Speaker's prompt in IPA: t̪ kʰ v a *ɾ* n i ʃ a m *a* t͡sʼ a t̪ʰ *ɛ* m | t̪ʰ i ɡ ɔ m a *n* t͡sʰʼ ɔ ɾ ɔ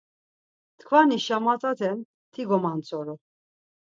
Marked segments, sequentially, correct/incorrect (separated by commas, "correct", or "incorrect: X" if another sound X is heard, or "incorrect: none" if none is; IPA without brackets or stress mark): incorrect: none, correct, correct, correct